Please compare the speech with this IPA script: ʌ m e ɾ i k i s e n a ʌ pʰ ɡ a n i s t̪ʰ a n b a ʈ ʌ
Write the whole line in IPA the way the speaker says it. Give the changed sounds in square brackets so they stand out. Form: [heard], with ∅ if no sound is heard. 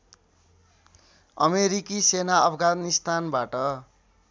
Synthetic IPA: ʌ m e ɾ i k i s e n a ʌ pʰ ɡ a n i s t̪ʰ a n b a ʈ ʌ

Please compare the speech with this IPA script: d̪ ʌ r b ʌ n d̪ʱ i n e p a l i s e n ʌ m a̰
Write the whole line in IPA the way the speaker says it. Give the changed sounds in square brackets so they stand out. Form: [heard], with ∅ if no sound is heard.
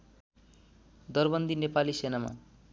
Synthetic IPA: d̪ ʌ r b ʌ n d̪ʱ i n e p a l i s e n [a] m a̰

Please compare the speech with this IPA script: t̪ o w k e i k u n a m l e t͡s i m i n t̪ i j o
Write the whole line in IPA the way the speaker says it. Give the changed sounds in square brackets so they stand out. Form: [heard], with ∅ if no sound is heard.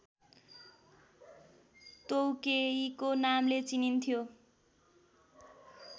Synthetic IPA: t̪ o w k e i k [o] n a m l e t͡s i [n] i n [t̪ʰ] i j o

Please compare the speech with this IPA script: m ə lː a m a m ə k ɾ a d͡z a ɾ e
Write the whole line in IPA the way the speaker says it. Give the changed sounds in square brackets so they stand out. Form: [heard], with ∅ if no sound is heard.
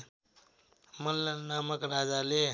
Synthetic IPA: m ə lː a [n] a m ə k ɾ a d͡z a [l] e

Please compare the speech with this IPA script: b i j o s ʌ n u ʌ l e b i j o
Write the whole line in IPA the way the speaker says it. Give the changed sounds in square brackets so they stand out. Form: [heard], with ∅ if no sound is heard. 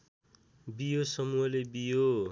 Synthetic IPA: b i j o s ʌ [m] u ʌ l e b i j o

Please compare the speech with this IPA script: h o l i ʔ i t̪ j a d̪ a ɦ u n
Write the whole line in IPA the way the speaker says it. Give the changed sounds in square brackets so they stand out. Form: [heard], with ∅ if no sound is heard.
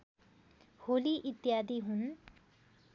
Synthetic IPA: h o l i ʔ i t̪ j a d̪ [i] ɦ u n

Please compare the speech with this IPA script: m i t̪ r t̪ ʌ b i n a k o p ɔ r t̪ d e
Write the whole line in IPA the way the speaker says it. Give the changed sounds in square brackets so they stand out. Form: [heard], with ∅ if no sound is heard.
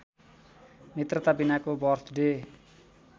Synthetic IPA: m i t̪ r t̪ [a] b i n a k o [b] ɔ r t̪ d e

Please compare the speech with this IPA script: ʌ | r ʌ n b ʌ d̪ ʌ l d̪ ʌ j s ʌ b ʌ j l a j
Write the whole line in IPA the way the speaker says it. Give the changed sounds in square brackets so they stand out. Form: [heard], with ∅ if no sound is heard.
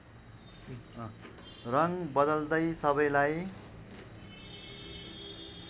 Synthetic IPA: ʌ | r ʌ [ŋ] b ʌ d̪ ʌ l d̪ ʌ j s ʌ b ʌ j l a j

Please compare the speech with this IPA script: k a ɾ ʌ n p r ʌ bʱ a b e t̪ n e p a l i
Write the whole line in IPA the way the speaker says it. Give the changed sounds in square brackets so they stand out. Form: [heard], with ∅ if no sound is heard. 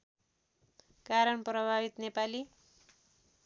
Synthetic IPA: k a ɾ ʌ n p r ʌ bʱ a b [i] t̪ n e p a l i

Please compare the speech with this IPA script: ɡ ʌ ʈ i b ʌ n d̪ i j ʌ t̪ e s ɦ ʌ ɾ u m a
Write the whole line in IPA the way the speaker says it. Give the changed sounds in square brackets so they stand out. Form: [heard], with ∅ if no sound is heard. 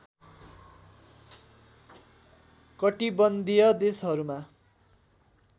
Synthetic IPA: [k] ʌ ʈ i b ʌ n d̪ i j ʌ [d̪] e s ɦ ʌ ɾ u m a

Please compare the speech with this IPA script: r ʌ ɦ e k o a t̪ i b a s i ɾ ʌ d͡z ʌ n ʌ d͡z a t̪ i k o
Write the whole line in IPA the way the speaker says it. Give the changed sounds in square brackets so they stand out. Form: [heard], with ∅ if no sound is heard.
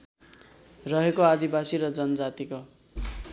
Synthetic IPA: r ʌ ɦ e k o a [d̪] i b a s i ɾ ʌ d͡z ʌ n ʌ d͡z a t̪ i k o

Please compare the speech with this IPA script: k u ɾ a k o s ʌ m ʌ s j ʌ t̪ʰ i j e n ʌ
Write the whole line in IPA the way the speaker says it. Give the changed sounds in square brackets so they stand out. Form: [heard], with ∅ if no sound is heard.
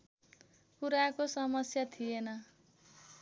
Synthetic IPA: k u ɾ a k o s ʌ m ʌ s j [a] t̪ʰ i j e n ʌ

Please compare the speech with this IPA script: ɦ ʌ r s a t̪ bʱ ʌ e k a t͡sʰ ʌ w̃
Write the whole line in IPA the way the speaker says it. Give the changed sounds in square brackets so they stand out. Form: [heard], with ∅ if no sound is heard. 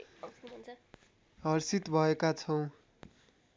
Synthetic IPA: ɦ ʌ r s [i] t̪ bʱ ʌ e k a t͡sʰ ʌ w̃

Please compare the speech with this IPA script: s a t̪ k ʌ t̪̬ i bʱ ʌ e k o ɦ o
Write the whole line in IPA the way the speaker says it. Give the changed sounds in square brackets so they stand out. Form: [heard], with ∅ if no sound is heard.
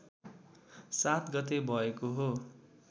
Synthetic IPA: s a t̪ [ɡ] ʌ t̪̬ [e] bʱ ʌ e k o ɦ o

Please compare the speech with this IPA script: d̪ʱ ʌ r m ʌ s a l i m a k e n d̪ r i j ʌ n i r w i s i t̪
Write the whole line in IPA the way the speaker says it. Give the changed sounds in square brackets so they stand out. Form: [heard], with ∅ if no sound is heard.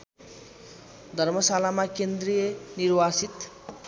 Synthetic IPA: d̪ʱ ʌ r m ʌ s a l [a] m a k e n d̪ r i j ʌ n i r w [a] s i t̪

